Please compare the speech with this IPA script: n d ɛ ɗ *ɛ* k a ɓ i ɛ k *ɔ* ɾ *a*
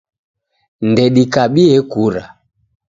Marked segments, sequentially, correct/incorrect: incorrect, incorrect, correct

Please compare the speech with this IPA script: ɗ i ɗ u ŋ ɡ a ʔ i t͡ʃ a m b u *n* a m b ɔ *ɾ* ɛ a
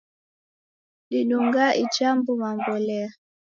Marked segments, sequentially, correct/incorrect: incorrect, incorrect

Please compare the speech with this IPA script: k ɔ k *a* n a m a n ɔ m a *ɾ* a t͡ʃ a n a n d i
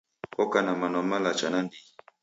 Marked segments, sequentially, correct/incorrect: correct, incorrect

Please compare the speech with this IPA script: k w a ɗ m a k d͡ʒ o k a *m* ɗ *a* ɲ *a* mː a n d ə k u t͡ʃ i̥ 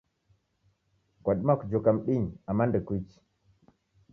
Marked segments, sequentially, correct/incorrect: correct, incorrect, correct

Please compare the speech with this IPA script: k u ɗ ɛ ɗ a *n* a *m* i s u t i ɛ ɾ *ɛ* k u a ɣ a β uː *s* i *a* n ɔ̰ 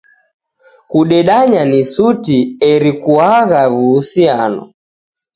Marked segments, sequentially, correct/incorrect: incorrect, incorrect, incorrect, correct, correct

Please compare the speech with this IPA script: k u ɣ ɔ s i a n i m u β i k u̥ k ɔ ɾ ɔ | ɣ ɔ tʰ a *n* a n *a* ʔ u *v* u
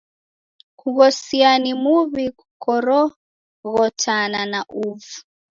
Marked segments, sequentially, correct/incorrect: correct, correct, correct

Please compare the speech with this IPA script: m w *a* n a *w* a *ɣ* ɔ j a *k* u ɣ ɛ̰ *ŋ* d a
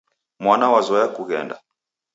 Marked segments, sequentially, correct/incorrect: correct, correct, incorrect, correct, incorrect

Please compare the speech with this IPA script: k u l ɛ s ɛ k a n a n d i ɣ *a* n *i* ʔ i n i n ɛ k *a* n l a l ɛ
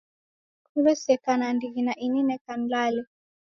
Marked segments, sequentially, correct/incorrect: incorrect, incorrect, correct

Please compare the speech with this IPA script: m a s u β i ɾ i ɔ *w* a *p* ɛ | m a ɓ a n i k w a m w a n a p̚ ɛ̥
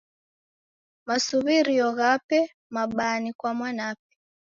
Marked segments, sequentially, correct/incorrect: incorrect, correct

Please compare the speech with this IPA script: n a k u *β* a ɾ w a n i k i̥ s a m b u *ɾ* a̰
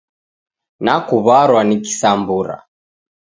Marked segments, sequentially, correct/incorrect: correct, correct

